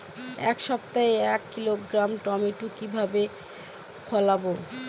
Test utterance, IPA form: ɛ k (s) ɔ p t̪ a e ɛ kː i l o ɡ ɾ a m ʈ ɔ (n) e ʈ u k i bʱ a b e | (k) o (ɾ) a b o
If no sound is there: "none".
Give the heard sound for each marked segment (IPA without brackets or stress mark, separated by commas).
ʃ, m, kʰ, l